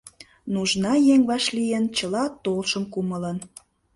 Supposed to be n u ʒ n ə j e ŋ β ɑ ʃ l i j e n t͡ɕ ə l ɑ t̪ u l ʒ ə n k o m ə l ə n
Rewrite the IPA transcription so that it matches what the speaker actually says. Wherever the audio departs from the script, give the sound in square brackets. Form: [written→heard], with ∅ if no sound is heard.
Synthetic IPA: n u ʒ n [ə→ɑ] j e ŋ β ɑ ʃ l i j e n t͡ɕ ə l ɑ t̪ [u→o] l [ʒ→ʃ] ə [n→m] k [o→u] m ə l ə n